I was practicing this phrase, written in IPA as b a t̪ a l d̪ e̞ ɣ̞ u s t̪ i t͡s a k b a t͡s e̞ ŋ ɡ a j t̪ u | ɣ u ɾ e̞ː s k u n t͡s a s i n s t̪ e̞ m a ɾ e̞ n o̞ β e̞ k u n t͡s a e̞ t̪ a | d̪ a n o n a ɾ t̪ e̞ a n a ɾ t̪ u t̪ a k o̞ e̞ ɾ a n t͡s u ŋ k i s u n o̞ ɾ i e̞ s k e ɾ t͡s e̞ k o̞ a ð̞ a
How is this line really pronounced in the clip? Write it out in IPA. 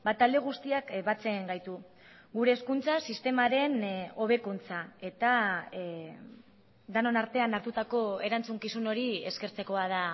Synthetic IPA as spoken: b a t̪ a l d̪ e̞ ɣ̞ u s t̪ i a k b a t͡s e̞ ŋ ɡ a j t̪ u | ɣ u ɾ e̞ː s k u n t͡s a s i s t̪ e̞ m a ɾ e̞ n o̞ β e̞ k u n t͡s a e̞ t̪ a | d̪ a n o n a ɾ t̪ e̞ a n a ɾ t̪ u t̪ a k o̞ e̞ ɾ a n t͡s u ŋ k i s u n o̞ ɾ i e̞ s k e ɾ t͡s e̞ k o̞ a ð̞ a